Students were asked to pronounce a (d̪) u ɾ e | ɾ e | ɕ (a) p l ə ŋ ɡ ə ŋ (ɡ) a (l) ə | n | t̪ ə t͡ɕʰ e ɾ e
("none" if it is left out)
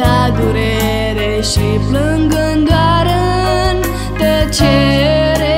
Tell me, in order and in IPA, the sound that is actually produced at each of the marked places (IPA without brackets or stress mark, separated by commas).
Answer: d̪, i, ɡ, ɾ